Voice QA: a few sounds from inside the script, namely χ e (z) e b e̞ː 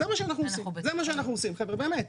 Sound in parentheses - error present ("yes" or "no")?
yes